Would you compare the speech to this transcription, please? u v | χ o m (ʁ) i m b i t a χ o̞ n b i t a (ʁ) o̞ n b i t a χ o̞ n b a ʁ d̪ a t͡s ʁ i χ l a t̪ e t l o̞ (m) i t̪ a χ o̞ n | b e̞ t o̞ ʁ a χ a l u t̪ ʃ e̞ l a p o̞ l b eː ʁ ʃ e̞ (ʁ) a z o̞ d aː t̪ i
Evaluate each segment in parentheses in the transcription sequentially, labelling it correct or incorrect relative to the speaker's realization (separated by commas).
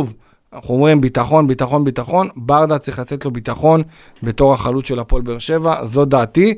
correct, incorrect, incorrect, incorrect